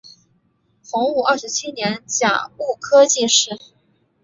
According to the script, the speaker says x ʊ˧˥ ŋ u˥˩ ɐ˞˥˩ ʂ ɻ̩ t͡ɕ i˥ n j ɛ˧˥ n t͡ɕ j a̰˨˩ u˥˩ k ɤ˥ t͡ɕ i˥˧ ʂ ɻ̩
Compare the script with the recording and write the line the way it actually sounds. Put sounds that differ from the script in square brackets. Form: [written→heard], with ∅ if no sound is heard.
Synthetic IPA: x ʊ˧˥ ŋ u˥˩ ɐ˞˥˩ ʂ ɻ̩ [t͡ɕ→t͡ɕʰ] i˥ n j ɛ˧˥ n t͡ɕ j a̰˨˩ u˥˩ [k→kʰ] ɤ˥ t͡ɕ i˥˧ ʂ ɻ̩